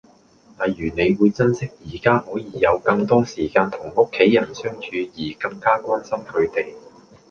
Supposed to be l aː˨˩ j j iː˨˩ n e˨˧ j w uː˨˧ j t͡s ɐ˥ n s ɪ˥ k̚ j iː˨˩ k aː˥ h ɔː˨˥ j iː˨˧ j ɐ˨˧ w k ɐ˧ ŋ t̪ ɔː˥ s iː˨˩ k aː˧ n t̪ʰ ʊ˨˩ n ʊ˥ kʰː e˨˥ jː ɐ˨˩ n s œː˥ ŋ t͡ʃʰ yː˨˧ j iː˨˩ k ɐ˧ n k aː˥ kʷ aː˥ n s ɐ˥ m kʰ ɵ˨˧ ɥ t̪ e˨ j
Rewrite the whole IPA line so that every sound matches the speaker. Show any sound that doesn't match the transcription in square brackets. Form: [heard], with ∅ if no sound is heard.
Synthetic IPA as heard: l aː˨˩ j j [yː˨˩] n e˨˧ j w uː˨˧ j t͡s ɐ˥ n s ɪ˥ k̚ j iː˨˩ k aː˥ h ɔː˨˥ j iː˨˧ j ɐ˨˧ w k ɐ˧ ŋ t̪ ɔː˥ s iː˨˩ k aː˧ n t̪ʰ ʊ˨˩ [ŋ] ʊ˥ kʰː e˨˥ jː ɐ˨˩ n s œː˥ ŋ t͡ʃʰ yː˨˧ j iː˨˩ k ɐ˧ [ŋ] k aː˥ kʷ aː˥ n s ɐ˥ m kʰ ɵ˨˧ ɥ t̪ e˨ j